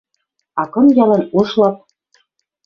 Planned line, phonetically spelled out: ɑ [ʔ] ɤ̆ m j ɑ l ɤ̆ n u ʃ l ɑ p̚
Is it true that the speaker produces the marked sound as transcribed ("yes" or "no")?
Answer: no